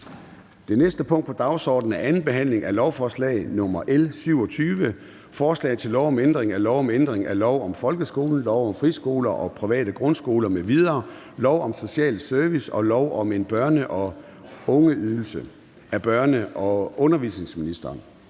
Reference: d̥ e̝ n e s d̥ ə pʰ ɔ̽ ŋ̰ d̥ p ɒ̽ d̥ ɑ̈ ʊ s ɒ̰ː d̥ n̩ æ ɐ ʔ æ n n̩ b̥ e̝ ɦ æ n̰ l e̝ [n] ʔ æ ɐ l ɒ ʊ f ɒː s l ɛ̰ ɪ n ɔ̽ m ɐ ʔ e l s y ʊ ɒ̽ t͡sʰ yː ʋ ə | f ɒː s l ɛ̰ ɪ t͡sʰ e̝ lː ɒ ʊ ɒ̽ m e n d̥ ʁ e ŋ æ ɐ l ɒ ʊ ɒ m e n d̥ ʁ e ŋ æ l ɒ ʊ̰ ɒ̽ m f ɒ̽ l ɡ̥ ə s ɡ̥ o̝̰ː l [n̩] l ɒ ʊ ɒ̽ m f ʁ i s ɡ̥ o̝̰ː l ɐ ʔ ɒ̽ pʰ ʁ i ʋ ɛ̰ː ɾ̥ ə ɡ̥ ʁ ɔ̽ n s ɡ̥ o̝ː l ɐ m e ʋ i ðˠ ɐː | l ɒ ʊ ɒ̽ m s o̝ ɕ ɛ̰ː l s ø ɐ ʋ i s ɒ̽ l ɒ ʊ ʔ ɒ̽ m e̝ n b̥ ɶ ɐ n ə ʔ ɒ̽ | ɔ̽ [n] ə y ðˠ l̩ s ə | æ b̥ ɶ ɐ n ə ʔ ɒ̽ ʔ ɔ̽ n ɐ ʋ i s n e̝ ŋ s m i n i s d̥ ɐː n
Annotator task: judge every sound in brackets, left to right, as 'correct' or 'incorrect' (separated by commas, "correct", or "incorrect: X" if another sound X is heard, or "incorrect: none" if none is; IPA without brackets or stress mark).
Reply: incorrect: ŋ, correct, incorrect: ŋ